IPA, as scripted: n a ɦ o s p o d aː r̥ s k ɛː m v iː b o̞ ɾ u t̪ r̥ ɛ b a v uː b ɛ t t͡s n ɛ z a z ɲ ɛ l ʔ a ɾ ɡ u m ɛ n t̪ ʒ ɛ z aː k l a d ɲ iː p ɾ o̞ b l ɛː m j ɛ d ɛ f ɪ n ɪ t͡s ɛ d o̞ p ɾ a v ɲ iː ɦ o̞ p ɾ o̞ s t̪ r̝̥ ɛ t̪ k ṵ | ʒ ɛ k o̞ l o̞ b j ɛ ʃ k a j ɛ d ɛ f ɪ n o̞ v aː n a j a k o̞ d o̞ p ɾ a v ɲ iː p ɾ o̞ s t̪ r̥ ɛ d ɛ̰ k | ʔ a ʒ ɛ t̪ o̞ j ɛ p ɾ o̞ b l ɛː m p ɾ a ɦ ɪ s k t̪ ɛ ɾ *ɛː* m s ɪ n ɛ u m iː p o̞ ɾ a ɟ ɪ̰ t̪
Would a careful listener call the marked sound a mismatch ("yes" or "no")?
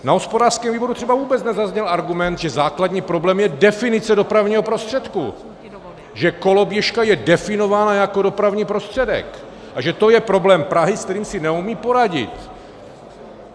yes